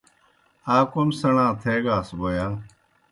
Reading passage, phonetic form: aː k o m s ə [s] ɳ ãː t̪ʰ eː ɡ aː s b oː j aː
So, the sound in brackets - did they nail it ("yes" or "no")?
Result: no